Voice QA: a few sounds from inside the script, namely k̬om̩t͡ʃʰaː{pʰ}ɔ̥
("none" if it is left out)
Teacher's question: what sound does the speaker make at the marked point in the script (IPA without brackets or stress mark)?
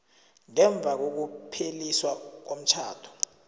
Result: tʰ